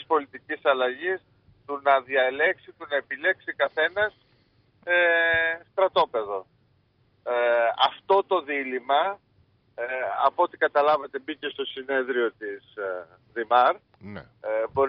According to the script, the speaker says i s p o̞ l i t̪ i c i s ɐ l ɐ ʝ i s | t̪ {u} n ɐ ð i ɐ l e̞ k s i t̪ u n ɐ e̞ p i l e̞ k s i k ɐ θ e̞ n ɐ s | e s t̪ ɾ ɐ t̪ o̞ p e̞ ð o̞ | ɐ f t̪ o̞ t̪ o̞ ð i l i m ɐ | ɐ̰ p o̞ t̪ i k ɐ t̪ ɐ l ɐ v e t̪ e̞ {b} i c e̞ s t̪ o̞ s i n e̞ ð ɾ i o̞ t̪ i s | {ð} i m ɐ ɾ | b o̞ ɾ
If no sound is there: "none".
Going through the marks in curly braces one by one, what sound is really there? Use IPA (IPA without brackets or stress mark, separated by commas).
u, b, ð